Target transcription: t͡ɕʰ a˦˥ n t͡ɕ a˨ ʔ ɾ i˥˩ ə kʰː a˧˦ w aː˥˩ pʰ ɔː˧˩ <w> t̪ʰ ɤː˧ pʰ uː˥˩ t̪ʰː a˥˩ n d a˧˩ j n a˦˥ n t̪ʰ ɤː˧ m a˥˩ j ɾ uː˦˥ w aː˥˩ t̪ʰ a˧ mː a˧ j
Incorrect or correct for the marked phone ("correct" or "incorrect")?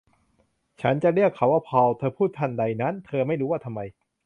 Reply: correct